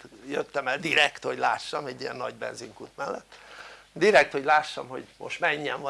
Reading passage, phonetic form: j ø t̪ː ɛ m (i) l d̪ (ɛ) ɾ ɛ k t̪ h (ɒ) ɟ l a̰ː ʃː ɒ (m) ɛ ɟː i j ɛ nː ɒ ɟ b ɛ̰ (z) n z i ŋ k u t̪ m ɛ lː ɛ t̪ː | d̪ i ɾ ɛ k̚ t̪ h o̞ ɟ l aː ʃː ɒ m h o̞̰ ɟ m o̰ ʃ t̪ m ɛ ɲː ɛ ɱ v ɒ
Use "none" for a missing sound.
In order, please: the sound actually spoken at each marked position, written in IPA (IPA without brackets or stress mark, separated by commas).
ɛ, i, o, m, none